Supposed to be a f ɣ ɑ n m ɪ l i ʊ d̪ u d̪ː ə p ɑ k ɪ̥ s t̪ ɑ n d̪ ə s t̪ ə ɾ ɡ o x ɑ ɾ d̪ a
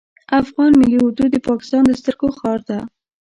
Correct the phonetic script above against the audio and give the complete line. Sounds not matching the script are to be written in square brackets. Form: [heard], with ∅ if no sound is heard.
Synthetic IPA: a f ɣ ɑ n m ɪ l i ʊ d̪ u [d̪] ə p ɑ k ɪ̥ s t̪ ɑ n d̪ ə s t̪ ə ɾ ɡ o x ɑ ɾ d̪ a

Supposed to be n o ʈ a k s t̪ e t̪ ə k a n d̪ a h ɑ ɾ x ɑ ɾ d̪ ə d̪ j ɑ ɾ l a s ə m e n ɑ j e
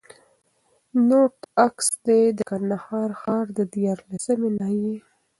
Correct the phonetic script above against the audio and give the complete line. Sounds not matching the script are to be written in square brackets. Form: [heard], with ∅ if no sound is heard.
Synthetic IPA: n o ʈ a k s [d̪] e [d̪] ə k a n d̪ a h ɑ ɾ x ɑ ɾ d̪ ə d̪ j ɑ ɾ l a s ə m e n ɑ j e

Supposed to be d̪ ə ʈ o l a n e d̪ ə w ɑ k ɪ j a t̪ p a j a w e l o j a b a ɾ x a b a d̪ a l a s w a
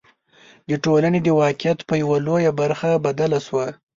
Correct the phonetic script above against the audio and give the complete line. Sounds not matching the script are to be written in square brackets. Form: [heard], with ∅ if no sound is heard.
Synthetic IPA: d̪ ə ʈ o l a n e d̪ ə w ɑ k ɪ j a t̪ p [ə] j a w [a] l o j a b a ɾ x a b a d̪ a l a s w a

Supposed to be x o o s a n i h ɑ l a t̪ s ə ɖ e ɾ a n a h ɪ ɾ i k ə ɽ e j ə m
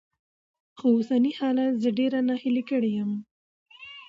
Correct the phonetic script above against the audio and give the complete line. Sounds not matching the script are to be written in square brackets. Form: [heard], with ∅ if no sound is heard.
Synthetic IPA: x o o s a n i h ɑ l a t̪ [z] ə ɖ e ɾ a n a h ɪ [l] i k ə ɽ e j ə m

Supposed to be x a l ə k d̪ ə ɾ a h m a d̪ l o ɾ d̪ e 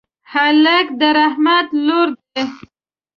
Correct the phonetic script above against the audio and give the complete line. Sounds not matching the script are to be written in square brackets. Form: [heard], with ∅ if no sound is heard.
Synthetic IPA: [h] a l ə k d̪ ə ɾ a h m a [t̪] l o ɾ d̪ e

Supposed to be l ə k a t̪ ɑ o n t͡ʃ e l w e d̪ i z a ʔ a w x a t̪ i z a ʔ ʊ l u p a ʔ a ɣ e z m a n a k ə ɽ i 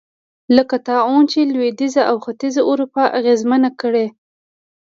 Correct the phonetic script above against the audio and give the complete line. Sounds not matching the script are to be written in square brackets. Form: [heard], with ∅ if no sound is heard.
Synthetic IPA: l ə k a t̪ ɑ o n t͡ʃ e l w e d̪ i z a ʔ a w x a t̪ i z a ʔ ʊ [ɾ] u p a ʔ a ɣ e z m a n a k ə ɽ [e]

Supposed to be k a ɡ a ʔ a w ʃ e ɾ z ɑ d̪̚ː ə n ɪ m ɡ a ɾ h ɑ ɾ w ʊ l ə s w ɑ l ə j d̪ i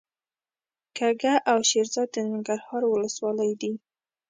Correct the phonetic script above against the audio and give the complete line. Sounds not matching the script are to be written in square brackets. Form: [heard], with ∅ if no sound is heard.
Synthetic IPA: k a ɡ a ʔ a w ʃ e ɾ z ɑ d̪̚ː ə n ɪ [ŋ] ɡ a ɾ h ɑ ɾ w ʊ l ə s w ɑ l ə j d̪ i

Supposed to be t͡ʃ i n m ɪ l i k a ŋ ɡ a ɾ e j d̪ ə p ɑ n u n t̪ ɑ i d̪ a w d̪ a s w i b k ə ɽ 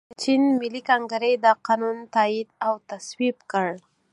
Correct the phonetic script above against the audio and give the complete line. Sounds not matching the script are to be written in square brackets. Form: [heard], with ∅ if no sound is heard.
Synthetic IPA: t͡ʃ i n m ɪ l i k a ŋ ɡ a ɾ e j d̪ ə [q] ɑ n u n t̪ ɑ i d̪ a w [t̪] a s w i b k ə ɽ

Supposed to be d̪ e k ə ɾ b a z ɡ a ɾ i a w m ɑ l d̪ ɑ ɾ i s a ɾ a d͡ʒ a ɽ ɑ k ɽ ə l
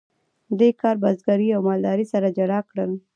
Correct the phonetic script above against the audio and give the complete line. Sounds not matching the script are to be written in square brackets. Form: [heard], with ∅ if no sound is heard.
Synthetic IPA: d̪ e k [ɑ] ɾ b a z ɡ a ɾ i a w m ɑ l d̪ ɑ ɾ i s a ɾ a d͡ʒ a ɽ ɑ k ɽ ə l

